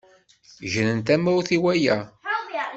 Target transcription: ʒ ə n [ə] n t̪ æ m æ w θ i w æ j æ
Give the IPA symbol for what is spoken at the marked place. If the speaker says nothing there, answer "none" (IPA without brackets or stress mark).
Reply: ə